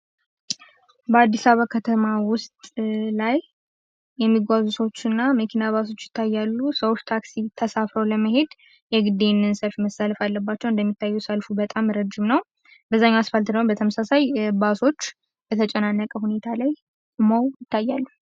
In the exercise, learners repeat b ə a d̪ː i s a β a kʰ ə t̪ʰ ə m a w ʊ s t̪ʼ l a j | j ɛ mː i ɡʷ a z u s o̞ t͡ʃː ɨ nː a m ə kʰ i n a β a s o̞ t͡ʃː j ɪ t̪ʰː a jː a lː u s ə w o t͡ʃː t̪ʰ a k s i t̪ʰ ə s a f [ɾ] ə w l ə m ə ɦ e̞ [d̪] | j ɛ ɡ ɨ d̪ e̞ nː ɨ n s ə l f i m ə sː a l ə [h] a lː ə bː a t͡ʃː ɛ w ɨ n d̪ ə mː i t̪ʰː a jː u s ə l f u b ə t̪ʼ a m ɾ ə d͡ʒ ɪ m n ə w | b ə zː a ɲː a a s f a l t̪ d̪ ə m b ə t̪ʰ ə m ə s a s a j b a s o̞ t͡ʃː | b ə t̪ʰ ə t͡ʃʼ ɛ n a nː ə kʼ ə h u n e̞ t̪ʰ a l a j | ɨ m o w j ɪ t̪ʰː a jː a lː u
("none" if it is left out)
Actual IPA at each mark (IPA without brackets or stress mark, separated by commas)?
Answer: ɾ, d̪, f